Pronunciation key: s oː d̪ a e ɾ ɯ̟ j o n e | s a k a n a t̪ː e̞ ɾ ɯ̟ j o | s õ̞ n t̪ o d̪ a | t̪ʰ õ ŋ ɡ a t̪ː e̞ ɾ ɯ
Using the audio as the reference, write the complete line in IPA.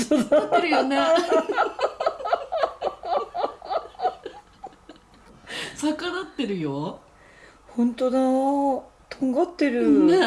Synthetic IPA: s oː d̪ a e ɾ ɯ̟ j o n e | s a k a n a t̪ː e̞ ɾ ɯ̟ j o | h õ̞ n t̪ o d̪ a | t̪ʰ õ ŋ ɡ a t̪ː e̞ ɾ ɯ